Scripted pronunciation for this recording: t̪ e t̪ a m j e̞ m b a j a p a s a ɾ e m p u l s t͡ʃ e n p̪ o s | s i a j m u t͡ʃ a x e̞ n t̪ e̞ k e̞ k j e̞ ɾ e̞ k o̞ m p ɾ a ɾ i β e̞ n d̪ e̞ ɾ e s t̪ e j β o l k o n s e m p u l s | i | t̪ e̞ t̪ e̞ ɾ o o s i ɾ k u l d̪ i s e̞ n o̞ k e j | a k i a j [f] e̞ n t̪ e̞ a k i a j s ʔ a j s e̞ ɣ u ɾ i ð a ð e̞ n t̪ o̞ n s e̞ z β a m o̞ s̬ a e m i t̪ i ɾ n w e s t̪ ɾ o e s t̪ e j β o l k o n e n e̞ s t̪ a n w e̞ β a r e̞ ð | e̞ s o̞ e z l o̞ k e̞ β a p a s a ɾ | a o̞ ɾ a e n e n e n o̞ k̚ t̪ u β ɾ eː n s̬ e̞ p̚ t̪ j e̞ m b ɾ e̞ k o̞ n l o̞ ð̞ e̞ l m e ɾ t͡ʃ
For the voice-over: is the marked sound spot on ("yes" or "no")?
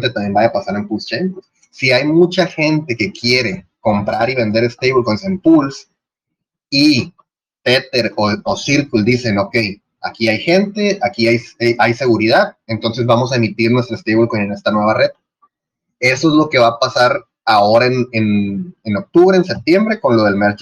no